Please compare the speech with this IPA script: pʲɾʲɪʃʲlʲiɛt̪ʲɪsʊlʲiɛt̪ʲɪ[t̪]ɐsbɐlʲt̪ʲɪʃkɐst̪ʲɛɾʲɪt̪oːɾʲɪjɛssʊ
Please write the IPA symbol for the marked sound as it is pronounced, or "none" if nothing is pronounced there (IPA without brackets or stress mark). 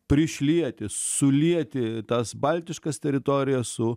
t̪